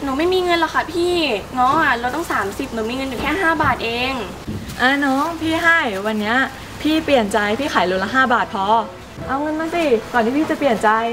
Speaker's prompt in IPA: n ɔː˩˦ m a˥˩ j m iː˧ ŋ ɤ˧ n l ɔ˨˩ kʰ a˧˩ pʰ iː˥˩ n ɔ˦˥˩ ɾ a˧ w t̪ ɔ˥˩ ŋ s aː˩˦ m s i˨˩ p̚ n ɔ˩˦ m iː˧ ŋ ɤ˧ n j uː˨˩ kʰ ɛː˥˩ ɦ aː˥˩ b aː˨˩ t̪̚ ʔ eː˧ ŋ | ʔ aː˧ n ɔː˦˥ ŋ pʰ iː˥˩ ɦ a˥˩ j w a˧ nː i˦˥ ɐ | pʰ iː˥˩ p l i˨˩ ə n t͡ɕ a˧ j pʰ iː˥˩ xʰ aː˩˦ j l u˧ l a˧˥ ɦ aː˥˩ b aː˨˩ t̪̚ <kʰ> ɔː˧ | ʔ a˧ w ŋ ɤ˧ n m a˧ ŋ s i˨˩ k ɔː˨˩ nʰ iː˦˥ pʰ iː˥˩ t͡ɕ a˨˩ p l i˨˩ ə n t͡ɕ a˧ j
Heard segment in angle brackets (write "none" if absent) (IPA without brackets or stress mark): pʰ